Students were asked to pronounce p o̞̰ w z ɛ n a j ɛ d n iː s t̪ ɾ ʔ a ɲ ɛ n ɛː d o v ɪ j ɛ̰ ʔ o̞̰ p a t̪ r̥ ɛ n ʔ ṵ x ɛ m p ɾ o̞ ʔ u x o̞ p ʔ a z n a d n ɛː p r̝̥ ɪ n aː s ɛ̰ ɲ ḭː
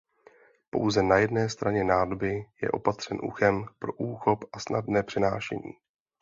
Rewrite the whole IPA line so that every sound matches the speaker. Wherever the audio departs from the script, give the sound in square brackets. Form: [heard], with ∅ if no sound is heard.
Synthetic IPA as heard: p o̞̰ w z ɛ n a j ɛ d n [ɛː] s t̪ ɾ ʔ a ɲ ɛ n [aː] d o [b] ɪ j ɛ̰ ʔ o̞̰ p a t̪ r̥ ɛ n ʔ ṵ x ɛ m p ɾ o̞ ʔ [uː] x o̞ p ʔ a [s] n a d n ɛː p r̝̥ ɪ n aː [ʃ] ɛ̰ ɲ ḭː